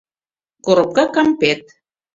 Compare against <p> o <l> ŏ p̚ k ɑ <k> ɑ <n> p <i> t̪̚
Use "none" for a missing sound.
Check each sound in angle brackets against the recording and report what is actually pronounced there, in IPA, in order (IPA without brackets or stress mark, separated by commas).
k, ɾ, k, m, e